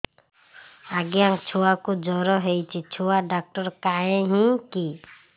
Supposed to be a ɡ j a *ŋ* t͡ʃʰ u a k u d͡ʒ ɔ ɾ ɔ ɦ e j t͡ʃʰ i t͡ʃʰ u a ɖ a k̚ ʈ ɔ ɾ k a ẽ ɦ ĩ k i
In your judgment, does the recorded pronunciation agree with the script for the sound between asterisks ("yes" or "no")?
yes